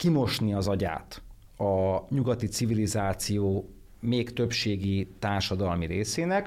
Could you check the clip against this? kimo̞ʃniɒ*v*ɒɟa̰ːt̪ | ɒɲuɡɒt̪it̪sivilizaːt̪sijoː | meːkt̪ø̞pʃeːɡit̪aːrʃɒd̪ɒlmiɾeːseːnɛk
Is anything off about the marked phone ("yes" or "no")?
yes